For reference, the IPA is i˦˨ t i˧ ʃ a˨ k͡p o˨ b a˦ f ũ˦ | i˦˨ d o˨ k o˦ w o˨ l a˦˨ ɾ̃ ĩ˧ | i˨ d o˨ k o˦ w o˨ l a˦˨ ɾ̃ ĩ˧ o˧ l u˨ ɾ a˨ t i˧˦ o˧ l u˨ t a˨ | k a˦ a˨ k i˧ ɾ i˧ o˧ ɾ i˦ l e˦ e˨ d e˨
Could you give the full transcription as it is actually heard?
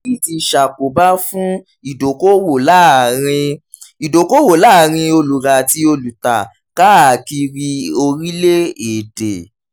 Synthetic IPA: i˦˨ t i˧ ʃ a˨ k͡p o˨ b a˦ f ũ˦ | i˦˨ d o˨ k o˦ w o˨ l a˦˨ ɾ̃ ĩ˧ | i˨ d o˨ k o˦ w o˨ l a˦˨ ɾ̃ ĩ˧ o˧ l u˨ ɾ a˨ t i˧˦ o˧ l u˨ t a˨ | k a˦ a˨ k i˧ ɾ i˧ o˧ ɾ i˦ l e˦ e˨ d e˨